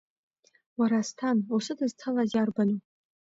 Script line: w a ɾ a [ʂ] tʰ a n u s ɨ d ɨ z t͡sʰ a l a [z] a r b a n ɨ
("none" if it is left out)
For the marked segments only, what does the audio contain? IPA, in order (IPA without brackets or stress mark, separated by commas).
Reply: s, z